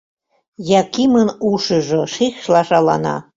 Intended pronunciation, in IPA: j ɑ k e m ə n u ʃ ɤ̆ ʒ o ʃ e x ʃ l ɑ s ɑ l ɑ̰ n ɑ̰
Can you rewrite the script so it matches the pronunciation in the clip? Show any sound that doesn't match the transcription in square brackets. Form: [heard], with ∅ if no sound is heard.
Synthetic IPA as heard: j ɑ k [i] m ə n u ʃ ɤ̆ ʒ o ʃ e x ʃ l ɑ [ʃ] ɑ l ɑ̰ n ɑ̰

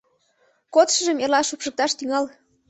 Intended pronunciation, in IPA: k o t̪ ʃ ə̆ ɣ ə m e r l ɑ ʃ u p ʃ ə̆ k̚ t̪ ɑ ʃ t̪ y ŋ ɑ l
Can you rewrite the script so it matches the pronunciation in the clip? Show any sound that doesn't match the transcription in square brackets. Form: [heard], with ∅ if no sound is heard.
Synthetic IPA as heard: k o t̪ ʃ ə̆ [ʒ] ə m e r l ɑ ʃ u p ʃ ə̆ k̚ t̪ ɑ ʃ t̪ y ŋ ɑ l

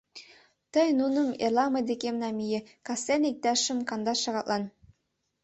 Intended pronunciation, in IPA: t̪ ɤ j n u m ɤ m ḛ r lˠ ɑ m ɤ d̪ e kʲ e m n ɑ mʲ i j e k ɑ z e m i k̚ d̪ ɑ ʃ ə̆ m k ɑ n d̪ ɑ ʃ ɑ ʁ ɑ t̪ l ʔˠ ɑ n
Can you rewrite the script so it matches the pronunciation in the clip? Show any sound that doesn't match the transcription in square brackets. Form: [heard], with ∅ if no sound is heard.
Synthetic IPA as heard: t̪ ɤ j n u [n] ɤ m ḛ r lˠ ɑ m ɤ d̪ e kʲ e m n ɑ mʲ i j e k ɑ [s] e [n] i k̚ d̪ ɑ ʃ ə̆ m k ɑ n d̪ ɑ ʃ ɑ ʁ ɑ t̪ l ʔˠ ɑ n

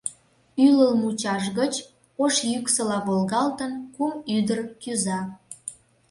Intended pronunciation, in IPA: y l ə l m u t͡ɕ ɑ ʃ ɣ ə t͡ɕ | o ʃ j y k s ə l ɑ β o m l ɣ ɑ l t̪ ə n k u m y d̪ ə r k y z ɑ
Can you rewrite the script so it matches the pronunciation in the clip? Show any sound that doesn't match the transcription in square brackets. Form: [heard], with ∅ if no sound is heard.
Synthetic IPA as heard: y l ə l m u t͡ɕ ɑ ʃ ɣ ə t͡ɕ | o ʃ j y k s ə l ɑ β o [∅] l ɣ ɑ l t̪ ə n k u m y d̪ ə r k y z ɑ

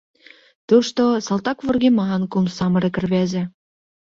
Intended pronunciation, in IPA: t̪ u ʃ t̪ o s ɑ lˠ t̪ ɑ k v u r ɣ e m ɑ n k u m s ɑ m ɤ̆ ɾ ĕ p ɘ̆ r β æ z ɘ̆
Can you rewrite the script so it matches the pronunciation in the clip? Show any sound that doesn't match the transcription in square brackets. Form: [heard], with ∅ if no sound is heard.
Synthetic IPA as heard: t̪ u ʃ t̪ o s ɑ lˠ t̪ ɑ k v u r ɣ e m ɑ n k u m s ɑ m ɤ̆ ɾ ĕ [k] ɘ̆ r β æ z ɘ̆

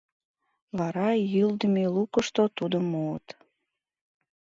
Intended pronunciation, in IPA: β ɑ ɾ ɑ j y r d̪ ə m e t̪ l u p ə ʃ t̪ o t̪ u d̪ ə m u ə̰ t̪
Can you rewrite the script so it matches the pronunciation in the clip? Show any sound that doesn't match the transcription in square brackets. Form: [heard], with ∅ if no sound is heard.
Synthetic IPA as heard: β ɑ ɾ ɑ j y [l] d̪ ə m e [∅] l u [k] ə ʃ t̪ o t̪ u d̪ ə m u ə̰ t̪

